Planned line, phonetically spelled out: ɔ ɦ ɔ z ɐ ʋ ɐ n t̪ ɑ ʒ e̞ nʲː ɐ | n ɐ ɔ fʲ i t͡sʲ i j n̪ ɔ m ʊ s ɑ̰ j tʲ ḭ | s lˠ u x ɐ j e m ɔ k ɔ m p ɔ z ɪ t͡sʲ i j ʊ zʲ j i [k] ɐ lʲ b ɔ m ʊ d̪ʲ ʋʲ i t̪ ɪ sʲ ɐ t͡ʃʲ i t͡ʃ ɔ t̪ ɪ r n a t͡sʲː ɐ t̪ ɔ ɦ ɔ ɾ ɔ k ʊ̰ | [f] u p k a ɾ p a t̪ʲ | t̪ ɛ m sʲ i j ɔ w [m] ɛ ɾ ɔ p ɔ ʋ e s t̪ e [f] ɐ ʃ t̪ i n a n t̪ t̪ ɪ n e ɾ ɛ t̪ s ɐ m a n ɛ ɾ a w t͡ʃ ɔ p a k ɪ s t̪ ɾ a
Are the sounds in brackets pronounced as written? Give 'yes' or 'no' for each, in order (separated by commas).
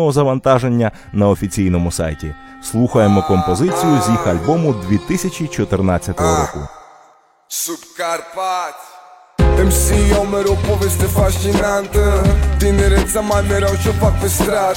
no, no, yes, yes